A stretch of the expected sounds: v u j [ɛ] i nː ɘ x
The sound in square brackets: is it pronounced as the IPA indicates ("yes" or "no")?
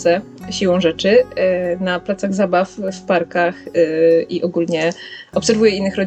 yes